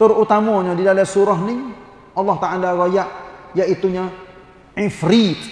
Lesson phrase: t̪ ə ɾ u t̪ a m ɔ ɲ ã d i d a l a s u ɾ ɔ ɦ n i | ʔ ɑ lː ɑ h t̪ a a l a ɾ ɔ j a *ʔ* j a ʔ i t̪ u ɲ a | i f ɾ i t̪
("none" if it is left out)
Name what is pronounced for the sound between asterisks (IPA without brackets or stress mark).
ʔ